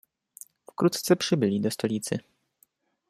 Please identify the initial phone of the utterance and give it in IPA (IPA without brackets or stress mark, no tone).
f